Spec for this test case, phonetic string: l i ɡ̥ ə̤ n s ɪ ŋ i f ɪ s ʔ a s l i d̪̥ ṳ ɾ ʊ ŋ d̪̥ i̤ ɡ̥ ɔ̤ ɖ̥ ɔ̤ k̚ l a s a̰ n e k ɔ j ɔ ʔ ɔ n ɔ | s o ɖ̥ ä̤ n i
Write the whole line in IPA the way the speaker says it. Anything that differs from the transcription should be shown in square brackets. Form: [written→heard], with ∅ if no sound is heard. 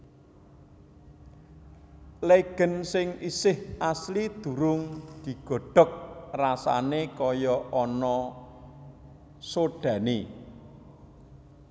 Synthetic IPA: l [i→e] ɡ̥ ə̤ n s ɪ ŋ i [f→s] ɪ [s→h] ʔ a s l i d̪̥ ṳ ɾ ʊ ŋ d̪̥ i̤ ɡ̥ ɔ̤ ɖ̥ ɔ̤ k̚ [l→r] a s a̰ n e k ɔ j ɔ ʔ ɔ n ɔ | s o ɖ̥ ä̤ n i